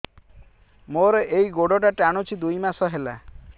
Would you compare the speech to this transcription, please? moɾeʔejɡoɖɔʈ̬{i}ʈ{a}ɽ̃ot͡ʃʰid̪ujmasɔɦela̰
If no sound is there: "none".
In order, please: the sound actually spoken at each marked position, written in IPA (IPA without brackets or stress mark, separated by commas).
a, a